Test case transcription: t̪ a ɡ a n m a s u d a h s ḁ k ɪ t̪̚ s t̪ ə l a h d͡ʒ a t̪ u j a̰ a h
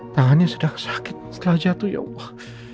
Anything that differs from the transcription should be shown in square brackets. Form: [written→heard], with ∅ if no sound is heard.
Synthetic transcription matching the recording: t̪ a [ɡ→ŋ] a n [m→ɲ] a s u d a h s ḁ k ɪ t̪̚ s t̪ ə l a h d͡ʒ a t̪ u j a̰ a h